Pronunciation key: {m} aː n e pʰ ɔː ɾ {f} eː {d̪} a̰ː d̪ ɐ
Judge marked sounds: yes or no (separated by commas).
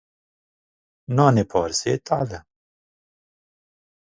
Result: no, no, no